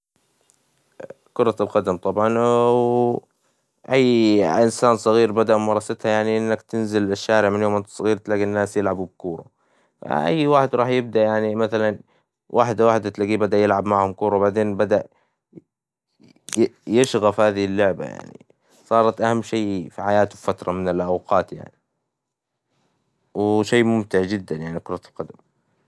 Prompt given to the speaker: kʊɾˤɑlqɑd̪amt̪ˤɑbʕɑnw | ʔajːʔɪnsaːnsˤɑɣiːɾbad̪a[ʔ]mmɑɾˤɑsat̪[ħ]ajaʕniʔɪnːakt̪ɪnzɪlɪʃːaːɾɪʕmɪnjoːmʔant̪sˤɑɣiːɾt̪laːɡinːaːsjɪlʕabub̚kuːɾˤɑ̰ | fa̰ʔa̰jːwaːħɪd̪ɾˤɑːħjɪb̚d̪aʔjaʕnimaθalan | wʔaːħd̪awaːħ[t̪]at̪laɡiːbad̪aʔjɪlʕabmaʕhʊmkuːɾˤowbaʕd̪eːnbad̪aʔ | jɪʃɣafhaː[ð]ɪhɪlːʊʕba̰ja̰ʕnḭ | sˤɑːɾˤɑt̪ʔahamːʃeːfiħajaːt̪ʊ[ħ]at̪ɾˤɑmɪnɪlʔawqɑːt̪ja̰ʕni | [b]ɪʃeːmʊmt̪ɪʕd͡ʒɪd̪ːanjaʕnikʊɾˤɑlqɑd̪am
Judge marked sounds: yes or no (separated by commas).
yes, no, no, yes, no, no